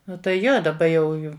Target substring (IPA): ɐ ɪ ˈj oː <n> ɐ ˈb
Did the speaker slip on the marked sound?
yes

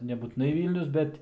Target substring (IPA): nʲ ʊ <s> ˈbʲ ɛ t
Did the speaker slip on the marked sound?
no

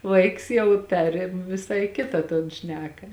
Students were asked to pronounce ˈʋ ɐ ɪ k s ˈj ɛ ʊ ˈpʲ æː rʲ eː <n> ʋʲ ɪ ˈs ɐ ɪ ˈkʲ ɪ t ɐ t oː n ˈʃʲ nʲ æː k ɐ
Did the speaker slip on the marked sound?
yes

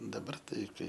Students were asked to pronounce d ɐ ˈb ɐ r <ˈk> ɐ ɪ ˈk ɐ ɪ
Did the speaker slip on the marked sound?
yes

